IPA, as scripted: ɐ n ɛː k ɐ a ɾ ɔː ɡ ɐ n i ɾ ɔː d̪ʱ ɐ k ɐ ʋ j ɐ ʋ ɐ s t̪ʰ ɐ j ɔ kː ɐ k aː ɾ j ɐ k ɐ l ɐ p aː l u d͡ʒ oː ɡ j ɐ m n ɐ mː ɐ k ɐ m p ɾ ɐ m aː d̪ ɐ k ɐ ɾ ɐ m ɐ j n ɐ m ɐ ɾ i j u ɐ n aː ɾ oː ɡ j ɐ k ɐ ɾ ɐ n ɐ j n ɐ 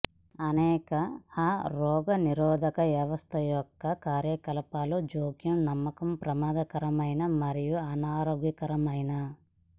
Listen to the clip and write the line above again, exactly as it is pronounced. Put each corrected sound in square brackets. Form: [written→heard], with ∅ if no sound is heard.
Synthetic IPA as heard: ɐ n ɛː k ɐ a ɾ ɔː ɡ ɐ n i ɾ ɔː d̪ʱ ɐ k ɐ ʋ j ɐ ʋ ɐ s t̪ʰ ɐ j ɔ kː ɐ k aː ɾ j ɐ k ɐ l ɐ p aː l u d͡ʒ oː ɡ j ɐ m n ɐ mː ɐ k ɐ m p ɾ ɐ m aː d̪ ɐ k ɐ ɾ ɐ m ɐ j n ɐ m ɐ ɾ i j u ɐ n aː ɾ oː ɡ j ɐ k ɐ ɾ ɐ [n→m] ɐ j n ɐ

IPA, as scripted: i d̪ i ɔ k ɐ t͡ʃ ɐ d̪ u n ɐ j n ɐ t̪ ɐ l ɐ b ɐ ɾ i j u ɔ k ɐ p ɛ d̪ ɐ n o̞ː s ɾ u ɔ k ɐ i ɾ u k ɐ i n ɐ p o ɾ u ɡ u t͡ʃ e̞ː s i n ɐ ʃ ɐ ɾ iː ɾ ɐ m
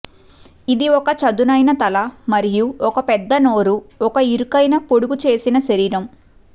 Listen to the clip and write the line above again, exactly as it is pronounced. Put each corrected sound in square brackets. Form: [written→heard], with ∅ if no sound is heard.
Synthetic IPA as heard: i d̪ i ɔ k ɐ t͡ʃ ɐ d̪ u n ɐ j n ɐ t̪ ɐ l ɐ [b→m] ɐ ɾ i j u ɔ k ɐ p ɛ [d̪→d̪ː] ɐ n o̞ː [s→∅] ɾ u ɔ k ɐ i ɾ u k ɐ [i→j] n ɐ p o [ɾ→ɽ] u ɡ u t͡ʃ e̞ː s i n ɐ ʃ ɐ ɾ iː ɾ ɐ m

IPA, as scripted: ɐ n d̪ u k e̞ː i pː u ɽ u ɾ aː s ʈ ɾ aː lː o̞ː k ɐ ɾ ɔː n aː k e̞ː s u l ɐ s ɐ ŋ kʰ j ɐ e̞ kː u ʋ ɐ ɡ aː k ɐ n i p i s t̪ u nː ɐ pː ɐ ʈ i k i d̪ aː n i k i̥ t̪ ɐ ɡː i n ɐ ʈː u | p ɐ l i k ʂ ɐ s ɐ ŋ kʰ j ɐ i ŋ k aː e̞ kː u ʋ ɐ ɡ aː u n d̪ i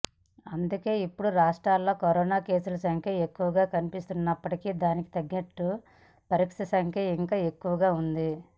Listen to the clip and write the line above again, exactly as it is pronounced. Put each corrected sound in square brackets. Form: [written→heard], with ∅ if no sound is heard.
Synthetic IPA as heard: ɐ n d̪ u k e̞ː i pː u ɽ u ɾ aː [s→ʂ] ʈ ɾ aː lː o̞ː k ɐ ɾ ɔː n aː k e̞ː s u l ɐ s ɐ ŋ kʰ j ɐ e̞ kː u ʋ ɐ ɡ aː k ɐ n i p i s t̪ u nː ɐ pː ɐ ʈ i k i d̪ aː n i k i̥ t̪ ɐ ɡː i n ɐ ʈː u | p ɐ [l→ɾ] i k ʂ ɐ s ɐ ŋ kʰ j ɐ i ŋ k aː e̞ kː u ʋ ɐ ɡ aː u n d̪ i

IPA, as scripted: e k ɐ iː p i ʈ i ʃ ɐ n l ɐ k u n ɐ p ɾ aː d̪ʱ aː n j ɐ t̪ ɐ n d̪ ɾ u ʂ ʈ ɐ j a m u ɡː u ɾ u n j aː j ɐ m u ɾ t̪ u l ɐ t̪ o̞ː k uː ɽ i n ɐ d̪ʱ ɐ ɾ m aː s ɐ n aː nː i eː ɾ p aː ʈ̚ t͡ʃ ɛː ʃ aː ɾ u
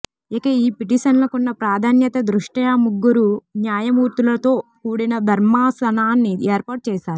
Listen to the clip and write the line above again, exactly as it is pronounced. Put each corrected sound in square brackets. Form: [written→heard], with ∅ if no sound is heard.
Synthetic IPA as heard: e k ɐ iː p i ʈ i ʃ ɐ n l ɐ k u [n→nː] ɐ p ɾ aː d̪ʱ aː n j ɐ t̪ ɐ [n→∅] d̪ ɾ u ʂ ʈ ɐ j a m u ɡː u ɾ u n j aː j ɐ m [u→uː] ɾ t̪ u l ɐ t̪ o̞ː k uː ɽ i n ɐ d̪ʱ ɐ ɾ m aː s ɐ n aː nː i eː ɾ p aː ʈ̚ t͡ʃ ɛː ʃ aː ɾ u

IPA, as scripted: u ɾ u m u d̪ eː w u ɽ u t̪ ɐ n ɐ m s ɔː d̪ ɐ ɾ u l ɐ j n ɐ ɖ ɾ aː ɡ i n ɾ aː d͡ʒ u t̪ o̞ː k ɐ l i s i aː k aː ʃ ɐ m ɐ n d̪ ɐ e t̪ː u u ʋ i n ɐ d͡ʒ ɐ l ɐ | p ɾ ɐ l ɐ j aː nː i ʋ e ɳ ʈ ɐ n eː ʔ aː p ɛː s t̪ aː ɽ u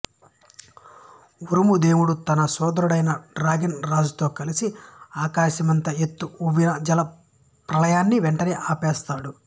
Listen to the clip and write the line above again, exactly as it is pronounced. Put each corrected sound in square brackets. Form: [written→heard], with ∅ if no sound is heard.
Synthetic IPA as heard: u ɾ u m u d̪ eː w u ɽ u t̪ ɐ n ɐ [m→∅] s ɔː d̪ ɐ ɾ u [l→ɽ] ɐ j n ɐ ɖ ɾ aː ɡ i n ɾ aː d͡ʒ u t̪ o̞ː k ɐ l i s i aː k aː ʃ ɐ m ɐ n [d̪→t̪] ɐ e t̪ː u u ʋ i n ɐ d͡ʒ ɐ l ɐ | p ɾ ɐ l ɐ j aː nː i ʋ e ɳ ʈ ɐ n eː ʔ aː p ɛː s t̪ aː ɽ u

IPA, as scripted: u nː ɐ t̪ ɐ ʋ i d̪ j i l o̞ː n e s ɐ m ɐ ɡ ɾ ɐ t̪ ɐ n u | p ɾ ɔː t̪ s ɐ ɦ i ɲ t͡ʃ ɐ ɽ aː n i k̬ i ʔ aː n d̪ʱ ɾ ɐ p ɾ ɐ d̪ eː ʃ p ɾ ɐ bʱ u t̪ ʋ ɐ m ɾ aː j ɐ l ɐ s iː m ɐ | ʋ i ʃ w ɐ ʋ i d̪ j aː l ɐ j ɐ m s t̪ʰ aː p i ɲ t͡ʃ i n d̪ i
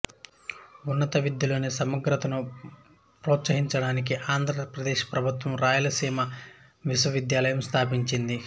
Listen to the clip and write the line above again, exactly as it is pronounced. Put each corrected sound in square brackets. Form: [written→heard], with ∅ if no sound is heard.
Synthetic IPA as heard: u nː ɐ t̪ ɐ ʋ i d̪ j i l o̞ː n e s ɐ m ɐ ɡ ɾ ɐ t̪ ɐ n u | p ɾ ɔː t̪ s ɐ ɦ i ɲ t͡ʃ ɐ ɽ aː n i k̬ i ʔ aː n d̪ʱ ɾ ɐ p ɾ ɐ d̪ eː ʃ p ɾ ɐ bʱ u t̪ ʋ ɐ m ɾ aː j ɐ l ɐ s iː m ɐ | ʋ i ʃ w ɐ ʋ i d̪ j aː l ɐ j ɐ m s t̪ʰ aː p i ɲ t͡ʃ i n d̪ i

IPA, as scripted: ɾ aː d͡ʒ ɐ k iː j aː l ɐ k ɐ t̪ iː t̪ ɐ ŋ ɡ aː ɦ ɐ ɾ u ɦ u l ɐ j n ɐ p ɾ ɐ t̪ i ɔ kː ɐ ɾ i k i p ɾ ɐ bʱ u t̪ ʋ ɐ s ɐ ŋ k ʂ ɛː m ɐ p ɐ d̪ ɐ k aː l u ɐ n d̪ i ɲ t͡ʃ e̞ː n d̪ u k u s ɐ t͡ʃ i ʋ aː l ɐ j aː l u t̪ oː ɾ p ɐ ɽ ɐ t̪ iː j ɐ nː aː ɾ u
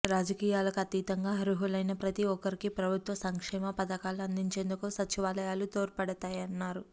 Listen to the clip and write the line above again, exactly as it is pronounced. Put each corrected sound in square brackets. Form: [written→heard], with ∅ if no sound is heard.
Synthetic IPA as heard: ɾ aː d͡ʒ ɐ k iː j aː l ɐ k ɐ t̪ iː t̪ ɐ ŋ ɡ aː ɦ ɐ ɾ u ɦ u l ɐ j n ɐ p ɾ ɐ t̪ i ɔ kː ɐ ɾ i k i p ɾ ɐ bʱ u t̪ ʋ ɐ s ɐ ŋ k ʂ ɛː m ɐ p ɐ d̪ ɐ k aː l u ɐ n d̪ i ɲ t͡ʃ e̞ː n d̪ u k u s ɐ t͡ʃ i ʋ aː l ɐ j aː l u t̪ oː ɾ p ɐ ɽ ɐ t̪ [iː→aː] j ɐ nː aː ɾ u

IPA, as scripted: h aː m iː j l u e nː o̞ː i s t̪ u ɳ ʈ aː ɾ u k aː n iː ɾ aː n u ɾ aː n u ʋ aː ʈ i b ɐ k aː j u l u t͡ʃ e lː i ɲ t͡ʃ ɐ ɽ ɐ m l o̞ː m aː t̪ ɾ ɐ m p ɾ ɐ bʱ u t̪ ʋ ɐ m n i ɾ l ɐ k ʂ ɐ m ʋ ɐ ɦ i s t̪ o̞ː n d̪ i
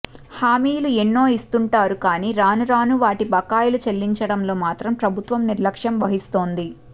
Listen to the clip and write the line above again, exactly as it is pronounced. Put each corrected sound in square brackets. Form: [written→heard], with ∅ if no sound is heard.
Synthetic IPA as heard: h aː m iː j l u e nː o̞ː i s t̪ u ɳ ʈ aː ɾ u k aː n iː ɾ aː n u ɾ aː n u ʋ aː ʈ i b ɐ k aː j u l u t͡ʃ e lː i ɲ t͡ʃ ɐ ɽ ɐ m l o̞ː m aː t̪ ɾ ɐ m p ɾ ɐ bʱ u t̪ ʋ ɐ m n i ɾ l ɐ k ʂ ɐ m ʋ ɐ ɦ i s t̪ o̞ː n d̪ i

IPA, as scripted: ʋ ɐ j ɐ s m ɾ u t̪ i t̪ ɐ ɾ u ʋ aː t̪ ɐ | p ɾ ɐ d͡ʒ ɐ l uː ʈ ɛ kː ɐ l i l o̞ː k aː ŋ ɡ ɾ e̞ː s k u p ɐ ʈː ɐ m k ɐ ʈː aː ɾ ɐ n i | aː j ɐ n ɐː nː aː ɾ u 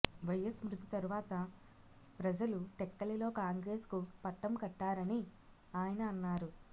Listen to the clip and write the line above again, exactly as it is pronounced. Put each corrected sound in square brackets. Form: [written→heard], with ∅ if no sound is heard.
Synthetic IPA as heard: ʋ ɐ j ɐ s m ɾ u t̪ i t̪ ɐ ɾ u ʋ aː t̪ ɐ | p ɾ ɐ d͡ʒ ɐ l [uː→u] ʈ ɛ kː ɐ l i l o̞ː k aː ŋ ɡ ɾ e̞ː s k u p ɐ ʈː ɐ m k ɐ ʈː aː ɾ ɐ n i | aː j ɐ n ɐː nː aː ɾ u

